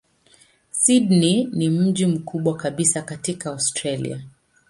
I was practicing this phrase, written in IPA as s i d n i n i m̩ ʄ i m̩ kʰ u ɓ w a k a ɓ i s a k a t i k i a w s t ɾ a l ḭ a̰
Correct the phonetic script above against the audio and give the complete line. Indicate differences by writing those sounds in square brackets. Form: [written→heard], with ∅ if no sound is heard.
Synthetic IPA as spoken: s i d n i n i m̩ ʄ i m̩ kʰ u ɓ w a k a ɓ i s a k a t i k [i→a] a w s t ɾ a l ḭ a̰